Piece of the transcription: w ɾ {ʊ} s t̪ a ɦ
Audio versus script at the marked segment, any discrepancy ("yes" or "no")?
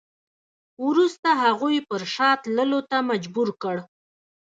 yes